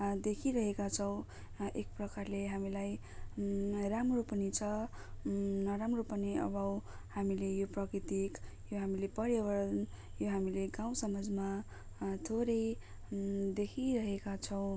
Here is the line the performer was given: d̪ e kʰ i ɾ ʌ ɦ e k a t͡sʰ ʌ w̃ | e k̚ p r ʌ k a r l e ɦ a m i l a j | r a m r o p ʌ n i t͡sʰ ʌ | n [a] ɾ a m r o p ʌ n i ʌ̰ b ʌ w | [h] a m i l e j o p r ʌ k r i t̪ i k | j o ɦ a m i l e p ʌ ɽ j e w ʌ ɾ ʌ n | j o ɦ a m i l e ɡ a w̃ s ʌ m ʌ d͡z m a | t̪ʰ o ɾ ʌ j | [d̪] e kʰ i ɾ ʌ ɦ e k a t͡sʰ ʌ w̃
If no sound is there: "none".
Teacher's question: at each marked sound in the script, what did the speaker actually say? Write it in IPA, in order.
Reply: ʌ, h, d̪

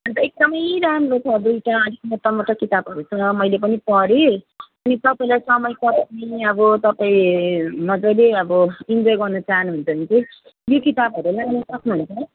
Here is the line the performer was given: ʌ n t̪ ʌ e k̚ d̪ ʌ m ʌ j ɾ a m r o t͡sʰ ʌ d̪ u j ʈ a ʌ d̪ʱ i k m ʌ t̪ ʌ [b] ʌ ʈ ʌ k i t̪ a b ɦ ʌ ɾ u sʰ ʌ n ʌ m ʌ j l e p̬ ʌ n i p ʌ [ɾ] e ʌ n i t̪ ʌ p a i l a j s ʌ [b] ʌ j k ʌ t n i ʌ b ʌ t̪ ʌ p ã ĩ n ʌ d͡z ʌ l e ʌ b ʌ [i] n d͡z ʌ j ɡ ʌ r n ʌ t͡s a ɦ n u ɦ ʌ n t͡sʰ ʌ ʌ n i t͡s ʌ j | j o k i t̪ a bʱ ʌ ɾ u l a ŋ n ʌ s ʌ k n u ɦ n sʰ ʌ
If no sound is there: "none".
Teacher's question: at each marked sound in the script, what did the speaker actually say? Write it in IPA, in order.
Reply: m, ɾ, m, i

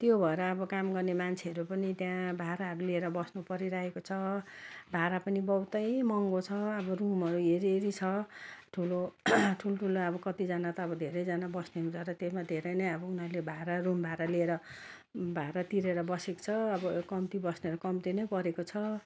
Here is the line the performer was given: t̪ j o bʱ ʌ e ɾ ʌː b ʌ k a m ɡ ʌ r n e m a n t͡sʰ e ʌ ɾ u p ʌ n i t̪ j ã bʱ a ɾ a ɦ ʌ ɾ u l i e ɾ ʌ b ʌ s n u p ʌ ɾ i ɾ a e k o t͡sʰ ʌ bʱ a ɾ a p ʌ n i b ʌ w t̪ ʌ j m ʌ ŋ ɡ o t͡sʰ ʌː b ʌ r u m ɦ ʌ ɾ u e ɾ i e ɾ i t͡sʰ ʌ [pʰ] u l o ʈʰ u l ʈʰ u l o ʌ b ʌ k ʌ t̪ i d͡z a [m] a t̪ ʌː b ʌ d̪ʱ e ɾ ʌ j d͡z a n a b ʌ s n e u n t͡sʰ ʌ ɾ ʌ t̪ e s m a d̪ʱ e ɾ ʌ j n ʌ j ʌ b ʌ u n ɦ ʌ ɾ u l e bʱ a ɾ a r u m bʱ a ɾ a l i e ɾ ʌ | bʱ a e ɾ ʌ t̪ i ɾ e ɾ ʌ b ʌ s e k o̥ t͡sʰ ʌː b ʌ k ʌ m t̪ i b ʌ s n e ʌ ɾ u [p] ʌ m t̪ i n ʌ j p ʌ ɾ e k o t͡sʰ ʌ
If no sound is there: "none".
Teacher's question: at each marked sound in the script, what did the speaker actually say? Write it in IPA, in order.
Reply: ʈʰ, n, k

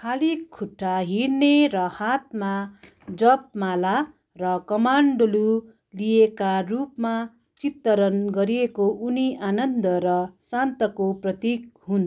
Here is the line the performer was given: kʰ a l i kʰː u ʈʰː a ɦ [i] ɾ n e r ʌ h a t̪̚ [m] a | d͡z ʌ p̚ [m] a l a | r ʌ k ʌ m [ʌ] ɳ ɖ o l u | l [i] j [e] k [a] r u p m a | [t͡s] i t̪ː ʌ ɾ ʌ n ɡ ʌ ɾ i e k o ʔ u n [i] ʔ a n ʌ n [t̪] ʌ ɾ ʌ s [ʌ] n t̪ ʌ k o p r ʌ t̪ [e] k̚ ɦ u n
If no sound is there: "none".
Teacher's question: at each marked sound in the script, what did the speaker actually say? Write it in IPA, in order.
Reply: i, m, m, a, i, e, a, t͡s, i, d̪, a, i

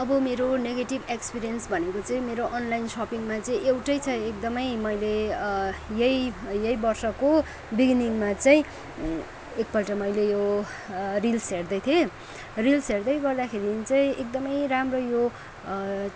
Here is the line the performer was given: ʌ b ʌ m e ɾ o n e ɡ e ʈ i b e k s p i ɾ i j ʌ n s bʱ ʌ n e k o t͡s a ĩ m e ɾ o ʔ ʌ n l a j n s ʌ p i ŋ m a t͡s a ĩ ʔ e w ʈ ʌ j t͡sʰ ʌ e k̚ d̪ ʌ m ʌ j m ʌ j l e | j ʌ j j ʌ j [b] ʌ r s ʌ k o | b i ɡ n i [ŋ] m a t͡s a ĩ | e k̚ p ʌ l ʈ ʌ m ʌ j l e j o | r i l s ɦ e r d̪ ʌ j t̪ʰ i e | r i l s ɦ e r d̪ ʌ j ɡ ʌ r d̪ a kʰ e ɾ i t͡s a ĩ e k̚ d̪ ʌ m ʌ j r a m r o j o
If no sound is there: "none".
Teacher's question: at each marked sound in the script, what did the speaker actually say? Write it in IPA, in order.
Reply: b, ŋ

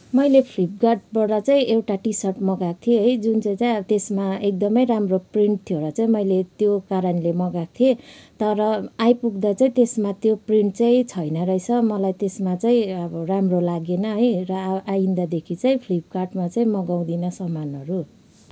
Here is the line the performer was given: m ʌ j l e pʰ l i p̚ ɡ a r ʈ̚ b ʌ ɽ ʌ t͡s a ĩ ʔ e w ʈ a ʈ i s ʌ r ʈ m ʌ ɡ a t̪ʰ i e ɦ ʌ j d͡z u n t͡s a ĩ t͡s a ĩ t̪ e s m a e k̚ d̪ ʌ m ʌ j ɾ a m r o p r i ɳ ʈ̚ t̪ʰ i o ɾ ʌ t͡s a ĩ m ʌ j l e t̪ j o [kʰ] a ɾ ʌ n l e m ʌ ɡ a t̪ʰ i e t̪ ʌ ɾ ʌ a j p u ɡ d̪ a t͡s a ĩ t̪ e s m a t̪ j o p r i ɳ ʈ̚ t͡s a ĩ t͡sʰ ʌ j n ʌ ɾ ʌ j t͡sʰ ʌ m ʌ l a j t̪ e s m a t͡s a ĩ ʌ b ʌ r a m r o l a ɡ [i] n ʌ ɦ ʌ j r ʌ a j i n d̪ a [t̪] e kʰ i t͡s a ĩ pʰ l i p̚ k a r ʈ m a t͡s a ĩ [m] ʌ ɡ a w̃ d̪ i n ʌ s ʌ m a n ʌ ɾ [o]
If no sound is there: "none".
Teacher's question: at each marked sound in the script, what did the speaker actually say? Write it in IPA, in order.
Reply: k, e, d̪, m, u

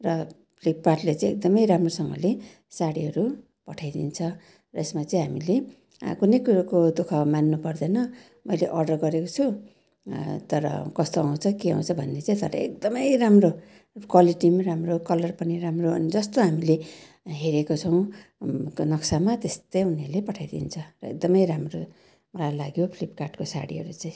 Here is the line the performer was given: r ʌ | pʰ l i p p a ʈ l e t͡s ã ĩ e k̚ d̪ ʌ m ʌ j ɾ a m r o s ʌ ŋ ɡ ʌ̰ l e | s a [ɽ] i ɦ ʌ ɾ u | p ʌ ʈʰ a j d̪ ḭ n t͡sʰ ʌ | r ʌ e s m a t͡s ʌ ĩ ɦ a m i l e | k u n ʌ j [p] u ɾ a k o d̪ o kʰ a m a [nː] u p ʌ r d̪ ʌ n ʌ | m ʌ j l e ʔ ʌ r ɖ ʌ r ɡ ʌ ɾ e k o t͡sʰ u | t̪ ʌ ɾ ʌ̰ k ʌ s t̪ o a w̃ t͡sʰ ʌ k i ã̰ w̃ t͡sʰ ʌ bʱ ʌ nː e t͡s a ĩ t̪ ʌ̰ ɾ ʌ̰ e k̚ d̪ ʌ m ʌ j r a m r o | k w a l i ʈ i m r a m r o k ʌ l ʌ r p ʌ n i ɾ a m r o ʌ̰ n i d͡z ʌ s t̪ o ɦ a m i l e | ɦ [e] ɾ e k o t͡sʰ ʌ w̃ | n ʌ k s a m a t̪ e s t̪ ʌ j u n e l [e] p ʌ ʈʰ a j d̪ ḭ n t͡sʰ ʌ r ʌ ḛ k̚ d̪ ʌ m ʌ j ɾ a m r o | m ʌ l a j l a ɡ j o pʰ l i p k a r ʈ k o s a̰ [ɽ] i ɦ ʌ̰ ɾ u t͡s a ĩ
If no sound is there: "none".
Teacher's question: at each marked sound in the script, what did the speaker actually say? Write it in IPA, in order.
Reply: ɽ, k, nː, e, e, ɽ

